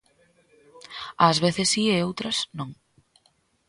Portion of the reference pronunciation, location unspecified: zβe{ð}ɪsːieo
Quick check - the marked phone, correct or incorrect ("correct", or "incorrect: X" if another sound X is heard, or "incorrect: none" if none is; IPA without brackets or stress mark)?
incorrect: θ